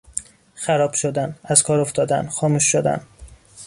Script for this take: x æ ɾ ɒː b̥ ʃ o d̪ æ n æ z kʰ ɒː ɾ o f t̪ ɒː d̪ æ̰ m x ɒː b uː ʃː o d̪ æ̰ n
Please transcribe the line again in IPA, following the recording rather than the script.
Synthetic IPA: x æ ɾ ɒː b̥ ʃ o d̪ æ n æ z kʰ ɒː ɾ o f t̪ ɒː d̪ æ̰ n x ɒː m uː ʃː o d̪ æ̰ n